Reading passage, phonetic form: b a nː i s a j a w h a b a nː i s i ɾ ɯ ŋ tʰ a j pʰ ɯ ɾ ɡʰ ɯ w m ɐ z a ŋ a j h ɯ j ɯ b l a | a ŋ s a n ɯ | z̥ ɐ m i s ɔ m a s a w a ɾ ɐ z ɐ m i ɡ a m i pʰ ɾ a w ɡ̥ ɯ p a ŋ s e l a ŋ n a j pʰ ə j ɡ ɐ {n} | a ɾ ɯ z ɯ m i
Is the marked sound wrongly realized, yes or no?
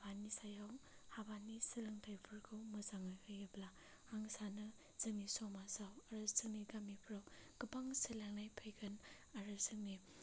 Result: no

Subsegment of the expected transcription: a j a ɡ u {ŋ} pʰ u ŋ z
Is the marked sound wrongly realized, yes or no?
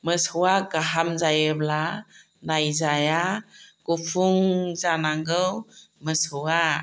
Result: yes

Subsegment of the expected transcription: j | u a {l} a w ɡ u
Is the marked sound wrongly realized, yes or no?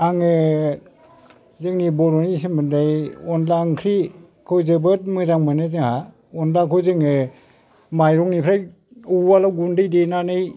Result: no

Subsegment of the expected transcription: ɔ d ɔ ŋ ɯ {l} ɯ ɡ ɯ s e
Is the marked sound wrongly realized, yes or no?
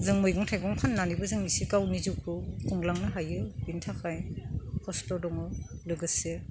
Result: no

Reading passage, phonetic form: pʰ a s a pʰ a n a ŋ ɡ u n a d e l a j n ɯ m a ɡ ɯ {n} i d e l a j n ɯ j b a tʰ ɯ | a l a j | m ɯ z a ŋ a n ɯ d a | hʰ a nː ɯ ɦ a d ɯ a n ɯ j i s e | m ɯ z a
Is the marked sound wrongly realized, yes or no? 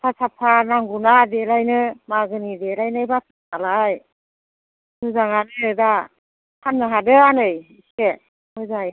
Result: no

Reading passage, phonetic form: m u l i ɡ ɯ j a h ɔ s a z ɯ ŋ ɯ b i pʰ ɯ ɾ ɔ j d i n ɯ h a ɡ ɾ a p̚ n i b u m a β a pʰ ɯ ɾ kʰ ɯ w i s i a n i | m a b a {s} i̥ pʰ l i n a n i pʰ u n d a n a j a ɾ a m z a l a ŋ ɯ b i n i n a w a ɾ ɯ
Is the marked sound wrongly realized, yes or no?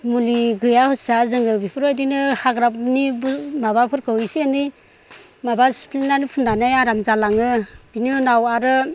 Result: no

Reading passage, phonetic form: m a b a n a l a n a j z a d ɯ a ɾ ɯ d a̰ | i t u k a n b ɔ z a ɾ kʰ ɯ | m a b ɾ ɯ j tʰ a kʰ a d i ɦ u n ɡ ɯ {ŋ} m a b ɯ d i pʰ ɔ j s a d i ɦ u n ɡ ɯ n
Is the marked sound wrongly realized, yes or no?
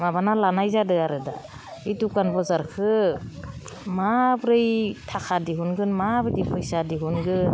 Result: yes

